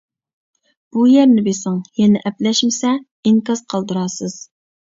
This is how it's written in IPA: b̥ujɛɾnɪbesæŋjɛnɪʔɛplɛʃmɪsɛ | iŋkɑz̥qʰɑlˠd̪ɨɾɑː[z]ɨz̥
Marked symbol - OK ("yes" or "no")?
no